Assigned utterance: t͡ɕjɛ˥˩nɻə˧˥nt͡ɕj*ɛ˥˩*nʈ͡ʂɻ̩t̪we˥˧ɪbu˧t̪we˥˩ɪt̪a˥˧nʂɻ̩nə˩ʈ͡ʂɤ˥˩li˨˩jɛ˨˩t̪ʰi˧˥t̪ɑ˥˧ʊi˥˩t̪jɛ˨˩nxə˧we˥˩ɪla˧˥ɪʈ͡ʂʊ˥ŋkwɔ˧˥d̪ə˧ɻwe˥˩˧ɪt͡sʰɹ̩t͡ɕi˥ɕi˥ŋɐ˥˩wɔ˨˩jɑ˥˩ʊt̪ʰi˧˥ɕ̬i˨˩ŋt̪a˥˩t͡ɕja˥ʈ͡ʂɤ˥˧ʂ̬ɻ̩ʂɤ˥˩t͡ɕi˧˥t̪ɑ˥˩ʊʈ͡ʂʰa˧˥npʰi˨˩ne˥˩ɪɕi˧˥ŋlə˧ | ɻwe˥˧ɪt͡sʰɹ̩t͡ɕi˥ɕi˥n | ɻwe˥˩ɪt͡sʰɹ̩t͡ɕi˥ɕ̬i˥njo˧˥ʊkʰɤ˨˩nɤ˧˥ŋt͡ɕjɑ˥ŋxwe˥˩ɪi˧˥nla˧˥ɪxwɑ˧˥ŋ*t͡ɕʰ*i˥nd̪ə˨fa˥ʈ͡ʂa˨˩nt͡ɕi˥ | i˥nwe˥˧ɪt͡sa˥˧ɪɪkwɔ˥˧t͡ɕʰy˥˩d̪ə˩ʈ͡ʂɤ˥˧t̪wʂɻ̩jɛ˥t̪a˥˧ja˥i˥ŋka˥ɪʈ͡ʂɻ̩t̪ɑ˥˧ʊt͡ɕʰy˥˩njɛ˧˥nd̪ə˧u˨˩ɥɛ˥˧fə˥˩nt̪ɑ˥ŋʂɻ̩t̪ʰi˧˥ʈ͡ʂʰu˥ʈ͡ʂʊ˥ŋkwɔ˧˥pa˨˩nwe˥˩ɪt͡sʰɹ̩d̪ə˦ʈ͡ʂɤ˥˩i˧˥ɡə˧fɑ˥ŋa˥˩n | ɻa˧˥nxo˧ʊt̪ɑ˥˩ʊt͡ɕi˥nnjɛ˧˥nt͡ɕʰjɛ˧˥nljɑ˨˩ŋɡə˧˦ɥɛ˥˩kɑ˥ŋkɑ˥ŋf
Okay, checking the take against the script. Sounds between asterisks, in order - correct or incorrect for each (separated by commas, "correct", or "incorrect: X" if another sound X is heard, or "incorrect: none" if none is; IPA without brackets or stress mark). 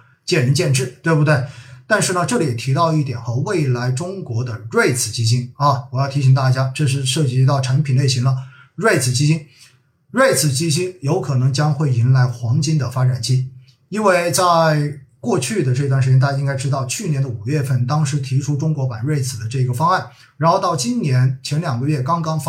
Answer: incorrect: ɛ˥˧, incorrect: t͡ɕ